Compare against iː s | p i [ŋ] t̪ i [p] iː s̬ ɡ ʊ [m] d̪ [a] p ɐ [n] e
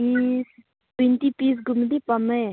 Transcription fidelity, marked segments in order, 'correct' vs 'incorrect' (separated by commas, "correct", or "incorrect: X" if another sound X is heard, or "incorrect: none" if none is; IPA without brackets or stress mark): incorrect: n, correct, correct, incorrect: i, incorrect: m